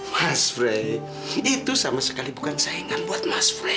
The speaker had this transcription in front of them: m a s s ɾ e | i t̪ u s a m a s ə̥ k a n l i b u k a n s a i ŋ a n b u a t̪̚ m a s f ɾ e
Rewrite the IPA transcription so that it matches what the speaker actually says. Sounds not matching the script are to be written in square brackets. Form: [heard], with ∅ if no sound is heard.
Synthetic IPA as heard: m a s [f] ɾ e | i t̪ u s a m a s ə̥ k a [∅] l i b u k a n s a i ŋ a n b u a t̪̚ m a s f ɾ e